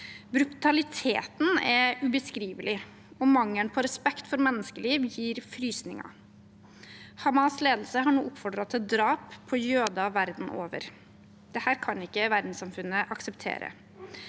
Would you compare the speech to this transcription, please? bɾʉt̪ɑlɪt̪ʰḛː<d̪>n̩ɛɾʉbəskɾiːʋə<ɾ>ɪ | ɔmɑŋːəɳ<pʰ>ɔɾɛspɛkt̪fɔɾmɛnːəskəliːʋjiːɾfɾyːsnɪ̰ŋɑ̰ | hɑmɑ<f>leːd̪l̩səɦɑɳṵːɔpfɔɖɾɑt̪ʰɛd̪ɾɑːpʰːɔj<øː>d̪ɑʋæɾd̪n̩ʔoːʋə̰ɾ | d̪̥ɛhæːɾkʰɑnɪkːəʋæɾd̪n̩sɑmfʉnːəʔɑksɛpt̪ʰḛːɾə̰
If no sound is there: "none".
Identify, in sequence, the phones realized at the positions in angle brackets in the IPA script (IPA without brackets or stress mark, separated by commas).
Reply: t̪, l, pʰ, s, øː